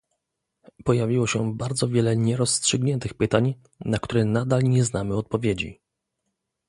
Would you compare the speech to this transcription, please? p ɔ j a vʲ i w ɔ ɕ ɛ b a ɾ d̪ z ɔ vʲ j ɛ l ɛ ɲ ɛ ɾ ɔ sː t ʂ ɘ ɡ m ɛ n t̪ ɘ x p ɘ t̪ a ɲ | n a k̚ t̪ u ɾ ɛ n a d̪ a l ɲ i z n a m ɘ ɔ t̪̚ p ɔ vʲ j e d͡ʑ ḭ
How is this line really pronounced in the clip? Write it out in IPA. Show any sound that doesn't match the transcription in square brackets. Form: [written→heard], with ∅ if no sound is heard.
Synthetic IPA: p ɔ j a vʲ i w ɔ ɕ ɛ b a ɾ d̪ z ɔ vʲ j ɛ l ɛ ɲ ɛ ɾ ɔ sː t ʂ ɘ ɡ [m→ɲ] ɛ n t̪ ɘ x p ɘ t̪ a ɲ | n a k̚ t̪ u ɾ ɛ n a d̪ a l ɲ [i→ɛ] z n a m ɘ ɔ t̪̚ p ɔ vʲ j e d͡ʑ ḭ